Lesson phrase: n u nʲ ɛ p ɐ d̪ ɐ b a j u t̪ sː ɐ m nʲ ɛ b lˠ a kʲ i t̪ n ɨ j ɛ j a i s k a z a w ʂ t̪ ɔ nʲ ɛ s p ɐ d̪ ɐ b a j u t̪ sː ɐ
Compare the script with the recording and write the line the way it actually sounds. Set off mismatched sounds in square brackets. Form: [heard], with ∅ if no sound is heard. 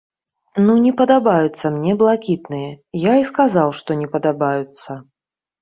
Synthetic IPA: n u nʲ ɛ p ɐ d̪ [a] b a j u t̪ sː ɐ m nʲ ɛ b lˠ a kʲ i t̪ n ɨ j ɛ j a i s k a z a w ʂ t̪ ɔ nʲ ɛ [∅] p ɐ d̪ [a] b a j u t̪ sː ɐ